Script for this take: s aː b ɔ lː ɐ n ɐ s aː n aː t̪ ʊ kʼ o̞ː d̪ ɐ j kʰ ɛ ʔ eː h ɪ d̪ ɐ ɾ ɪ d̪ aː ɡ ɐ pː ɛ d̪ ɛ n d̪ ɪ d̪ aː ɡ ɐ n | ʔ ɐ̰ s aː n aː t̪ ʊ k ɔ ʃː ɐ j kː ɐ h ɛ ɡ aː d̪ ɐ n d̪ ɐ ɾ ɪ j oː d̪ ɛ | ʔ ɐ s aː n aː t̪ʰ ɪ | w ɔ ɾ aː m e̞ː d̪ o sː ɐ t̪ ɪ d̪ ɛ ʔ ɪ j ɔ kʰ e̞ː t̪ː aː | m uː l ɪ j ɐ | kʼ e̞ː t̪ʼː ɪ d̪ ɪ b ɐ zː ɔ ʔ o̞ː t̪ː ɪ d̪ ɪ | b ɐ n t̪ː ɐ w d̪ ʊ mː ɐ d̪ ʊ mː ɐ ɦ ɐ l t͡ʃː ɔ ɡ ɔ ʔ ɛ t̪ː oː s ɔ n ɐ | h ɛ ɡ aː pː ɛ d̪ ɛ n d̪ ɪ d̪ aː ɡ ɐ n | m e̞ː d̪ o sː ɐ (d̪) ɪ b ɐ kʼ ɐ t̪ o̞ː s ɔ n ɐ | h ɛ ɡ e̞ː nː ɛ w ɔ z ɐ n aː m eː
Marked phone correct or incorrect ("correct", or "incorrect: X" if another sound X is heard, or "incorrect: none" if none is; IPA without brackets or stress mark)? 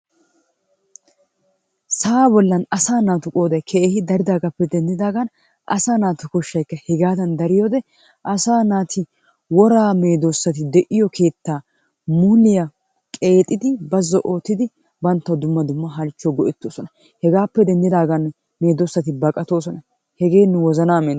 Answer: incorrect: t̪